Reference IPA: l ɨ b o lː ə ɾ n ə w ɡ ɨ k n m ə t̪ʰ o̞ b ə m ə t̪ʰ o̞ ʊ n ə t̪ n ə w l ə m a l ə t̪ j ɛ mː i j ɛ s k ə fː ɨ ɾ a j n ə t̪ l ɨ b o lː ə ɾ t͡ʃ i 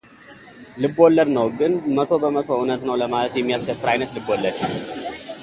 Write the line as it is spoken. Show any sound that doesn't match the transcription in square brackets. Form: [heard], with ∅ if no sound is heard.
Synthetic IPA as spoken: l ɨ b o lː ə ɾ n ə w ɡ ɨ [∅] n m ə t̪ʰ o̞ b ə m ə t̪ʰ o̞ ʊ n ə t̪ n ə w l ə m a l ə t̪ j ɛ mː i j [a] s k ə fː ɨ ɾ a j n ə t̪ l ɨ b o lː ə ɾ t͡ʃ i